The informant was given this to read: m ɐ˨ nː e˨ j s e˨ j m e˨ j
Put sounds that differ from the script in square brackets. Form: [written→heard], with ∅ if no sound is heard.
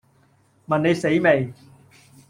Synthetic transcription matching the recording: m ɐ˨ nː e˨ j s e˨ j m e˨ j